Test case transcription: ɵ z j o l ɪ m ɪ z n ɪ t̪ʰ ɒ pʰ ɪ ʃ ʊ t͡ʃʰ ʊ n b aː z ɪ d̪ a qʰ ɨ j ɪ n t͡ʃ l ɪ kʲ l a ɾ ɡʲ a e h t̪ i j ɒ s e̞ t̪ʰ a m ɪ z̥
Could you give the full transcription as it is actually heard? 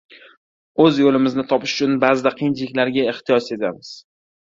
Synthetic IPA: ɵ z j o l ɪ m ɪ z n ɪ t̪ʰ ɒ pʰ ɪ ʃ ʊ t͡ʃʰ ʊ n b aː z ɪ d̪ a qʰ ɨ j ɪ n t͡ʃ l ɪ kʲ l a ɾ ɡʲ a e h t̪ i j ɒ s e̞ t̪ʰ a m ɪ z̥